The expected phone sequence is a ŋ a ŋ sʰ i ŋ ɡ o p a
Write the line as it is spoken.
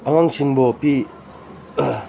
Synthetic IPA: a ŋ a ŋ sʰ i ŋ b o p i